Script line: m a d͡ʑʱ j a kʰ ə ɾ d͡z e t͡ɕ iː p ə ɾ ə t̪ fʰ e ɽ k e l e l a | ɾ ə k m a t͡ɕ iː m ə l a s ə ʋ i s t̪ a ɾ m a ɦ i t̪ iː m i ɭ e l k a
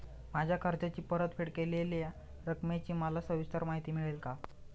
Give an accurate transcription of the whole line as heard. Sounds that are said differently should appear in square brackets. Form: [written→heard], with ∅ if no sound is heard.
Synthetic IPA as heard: m a d͡ʑʱ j a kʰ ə ɾ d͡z [e→a] t͡ɕ iː p ə ɾ ə t̪ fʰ e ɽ k e l e l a | ɾ ə k m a t͡ɕ iː m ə l a s ə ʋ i s t̪ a ɾ m a ɦ i t̪ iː m i ɭ e l k a